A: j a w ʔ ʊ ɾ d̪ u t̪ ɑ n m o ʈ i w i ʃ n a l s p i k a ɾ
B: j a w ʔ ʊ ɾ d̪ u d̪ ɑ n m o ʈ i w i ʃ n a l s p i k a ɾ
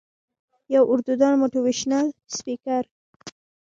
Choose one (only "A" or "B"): B